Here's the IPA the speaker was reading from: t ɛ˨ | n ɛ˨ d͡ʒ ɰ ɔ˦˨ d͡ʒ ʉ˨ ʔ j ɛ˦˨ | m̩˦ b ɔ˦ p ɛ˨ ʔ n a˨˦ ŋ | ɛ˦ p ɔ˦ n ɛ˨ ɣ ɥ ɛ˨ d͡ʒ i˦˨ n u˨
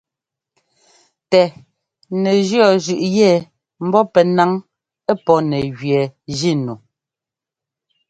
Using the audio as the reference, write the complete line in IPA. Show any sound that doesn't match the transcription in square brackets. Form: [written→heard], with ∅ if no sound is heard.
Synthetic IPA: t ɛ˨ | n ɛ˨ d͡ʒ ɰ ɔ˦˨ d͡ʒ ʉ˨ ʔ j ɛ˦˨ | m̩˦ b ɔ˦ p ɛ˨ [ʔ→∅] n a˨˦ ŋ | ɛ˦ p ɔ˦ n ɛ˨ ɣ ɥ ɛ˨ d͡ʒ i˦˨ n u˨